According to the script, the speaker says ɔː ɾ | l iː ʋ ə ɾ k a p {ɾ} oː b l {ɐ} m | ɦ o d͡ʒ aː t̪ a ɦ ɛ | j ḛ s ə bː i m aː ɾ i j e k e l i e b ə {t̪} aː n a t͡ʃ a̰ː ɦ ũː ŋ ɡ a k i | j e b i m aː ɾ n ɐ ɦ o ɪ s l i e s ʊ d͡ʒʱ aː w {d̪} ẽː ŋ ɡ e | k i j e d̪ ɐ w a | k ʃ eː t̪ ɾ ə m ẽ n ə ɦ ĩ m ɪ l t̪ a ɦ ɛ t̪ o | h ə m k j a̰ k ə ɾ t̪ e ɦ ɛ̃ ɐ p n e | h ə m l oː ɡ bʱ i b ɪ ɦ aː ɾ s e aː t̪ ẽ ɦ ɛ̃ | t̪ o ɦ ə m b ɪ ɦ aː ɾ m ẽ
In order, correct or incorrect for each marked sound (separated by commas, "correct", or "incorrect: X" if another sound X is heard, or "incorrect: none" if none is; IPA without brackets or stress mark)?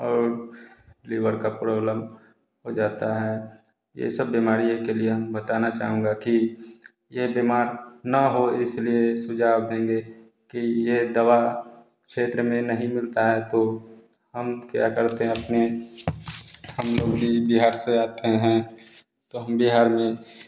correct, incorrect: ə, correct, correct